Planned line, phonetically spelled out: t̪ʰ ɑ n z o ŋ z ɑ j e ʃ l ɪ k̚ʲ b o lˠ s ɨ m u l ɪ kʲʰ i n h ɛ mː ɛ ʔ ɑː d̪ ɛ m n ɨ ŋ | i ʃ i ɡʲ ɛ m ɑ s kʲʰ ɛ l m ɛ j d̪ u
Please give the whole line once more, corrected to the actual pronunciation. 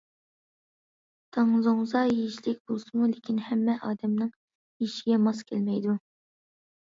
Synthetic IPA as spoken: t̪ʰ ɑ ŋ z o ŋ z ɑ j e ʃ l ɪ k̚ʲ b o lˠ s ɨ m u l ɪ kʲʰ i n h ɛ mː ɛ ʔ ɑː d̪ ɛ m n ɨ ŋ | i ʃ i ɡʲ ɛ m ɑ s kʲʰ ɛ l m ɛ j d̪ u